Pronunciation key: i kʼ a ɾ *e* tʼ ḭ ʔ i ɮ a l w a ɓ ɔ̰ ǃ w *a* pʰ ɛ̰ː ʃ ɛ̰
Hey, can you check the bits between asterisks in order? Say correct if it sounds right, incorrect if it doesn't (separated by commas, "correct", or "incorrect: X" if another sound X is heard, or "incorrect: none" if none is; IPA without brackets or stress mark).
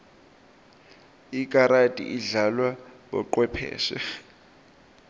incorrect: a, incorrect: ɛ